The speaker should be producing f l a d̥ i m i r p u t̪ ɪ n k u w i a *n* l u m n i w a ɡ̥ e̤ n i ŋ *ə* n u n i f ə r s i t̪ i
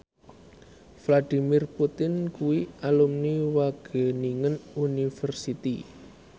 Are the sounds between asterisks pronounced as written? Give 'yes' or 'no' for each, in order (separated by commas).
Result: no, yes